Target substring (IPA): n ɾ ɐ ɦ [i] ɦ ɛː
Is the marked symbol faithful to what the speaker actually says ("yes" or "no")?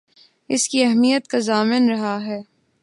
no